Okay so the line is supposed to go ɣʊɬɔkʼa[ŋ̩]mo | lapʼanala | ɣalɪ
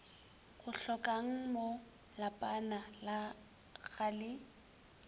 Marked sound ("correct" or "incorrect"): correct